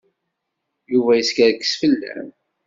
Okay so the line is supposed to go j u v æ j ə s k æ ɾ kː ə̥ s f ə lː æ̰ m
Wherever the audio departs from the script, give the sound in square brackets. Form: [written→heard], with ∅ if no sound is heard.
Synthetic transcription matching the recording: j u v æ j ə s k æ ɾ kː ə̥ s f ə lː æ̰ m